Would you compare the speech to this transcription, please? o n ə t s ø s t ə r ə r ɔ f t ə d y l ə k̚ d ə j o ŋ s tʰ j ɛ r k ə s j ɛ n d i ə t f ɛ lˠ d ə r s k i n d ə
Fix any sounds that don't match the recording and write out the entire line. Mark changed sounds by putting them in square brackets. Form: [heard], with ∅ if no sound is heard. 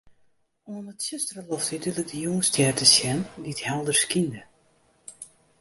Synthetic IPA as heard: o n ə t s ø s t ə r ə [l] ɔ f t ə d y l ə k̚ d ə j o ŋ s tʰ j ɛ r [t] ə s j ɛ n d i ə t [h] ɛ lˠ d ə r s k i n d ə

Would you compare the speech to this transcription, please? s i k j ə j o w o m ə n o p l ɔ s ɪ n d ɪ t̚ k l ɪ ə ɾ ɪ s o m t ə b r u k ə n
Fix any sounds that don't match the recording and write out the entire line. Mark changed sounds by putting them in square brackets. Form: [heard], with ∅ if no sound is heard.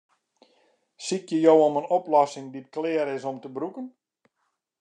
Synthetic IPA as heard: s i k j ə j o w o m ə n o p l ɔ s ɪ [ŋ] d [i] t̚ k l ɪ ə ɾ ɪ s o m t ə b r u k ə n

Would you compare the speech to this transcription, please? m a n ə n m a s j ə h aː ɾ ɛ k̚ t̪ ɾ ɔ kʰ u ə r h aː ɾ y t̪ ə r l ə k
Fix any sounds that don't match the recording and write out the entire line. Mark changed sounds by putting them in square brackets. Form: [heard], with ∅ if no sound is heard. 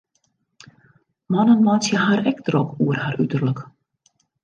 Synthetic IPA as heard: m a n ə n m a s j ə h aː ɾ ɛ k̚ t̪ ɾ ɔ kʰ u ə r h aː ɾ y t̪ ə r l ə k

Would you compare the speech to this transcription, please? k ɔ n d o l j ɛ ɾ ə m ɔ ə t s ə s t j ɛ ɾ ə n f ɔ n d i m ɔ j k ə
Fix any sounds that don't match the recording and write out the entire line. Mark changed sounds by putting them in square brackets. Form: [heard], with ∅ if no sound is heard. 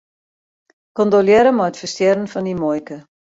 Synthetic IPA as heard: k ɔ n d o l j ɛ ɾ ə m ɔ ə t [f] ə s t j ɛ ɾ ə n f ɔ n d i m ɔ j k ə

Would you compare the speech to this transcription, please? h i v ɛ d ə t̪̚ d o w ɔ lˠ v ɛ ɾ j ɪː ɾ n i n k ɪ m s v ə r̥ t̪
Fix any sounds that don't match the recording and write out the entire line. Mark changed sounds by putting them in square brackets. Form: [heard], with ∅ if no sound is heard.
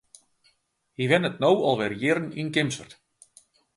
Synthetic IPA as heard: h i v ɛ [n] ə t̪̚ [n] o w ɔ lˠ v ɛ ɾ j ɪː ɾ n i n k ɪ m s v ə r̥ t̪

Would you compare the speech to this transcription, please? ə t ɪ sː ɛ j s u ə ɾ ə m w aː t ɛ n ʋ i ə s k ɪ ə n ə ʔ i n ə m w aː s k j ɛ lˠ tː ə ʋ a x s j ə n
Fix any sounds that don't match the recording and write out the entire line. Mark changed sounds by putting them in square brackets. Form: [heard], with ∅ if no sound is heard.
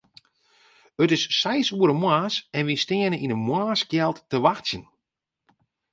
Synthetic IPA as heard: ə t ɪ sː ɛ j s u ə ɾ ə m w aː [s] ɛ n ʋ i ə s [t] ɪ ə n ə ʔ i n ə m w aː s k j ɛ lˠ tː ə ʋ a x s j ə n

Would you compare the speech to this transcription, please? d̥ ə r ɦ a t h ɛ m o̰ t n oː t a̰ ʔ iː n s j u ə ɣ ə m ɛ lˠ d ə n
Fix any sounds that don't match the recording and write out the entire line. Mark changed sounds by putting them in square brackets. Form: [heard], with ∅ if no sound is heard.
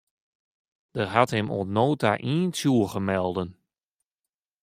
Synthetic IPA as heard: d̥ ə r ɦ a t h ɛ m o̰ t n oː t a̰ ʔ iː n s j u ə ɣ ə m ɛ lˠ d ə n

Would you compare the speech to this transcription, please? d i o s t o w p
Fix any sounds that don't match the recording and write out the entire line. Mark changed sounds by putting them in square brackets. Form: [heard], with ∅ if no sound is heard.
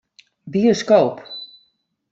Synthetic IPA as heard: [b] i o s [k] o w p

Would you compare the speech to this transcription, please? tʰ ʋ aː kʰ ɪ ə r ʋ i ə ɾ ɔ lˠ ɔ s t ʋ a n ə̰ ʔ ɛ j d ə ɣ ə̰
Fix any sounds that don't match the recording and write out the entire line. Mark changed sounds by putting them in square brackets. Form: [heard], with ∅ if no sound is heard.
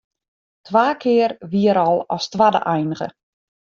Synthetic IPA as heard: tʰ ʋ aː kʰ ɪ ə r ʋ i ə ɾ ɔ lˠ ɔ s t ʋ a [d] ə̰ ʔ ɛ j [n] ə ɣ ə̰

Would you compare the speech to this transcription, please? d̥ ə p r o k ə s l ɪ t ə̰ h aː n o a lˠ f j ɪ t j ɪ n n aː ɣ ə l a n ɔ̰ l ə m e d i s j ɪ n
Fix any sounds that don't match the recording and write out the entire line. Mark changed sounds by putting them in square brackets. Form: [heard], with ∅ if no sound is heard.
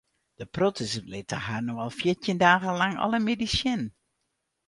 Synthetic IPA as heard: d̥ ə p r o [t] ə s l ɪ t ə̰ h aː n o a lˠ f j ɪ t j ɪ n [d] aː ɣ ə l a [ŋ] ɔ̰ l ə m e d i s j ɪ n

